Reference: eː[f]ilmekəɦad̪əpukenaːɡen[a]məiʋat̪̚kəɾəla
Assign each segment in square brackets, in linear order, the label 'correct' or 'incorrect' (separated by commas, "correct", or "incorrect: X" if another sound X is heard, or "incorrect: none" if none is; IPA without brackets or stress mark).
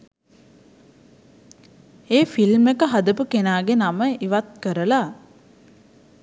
correct, correct